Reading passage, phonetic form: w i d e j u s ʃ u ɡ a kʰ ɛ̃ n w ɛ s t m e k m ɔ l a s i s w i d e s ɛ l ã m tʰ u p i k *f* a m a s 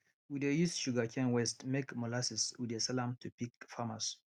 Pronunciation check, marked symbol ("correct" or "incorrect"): correct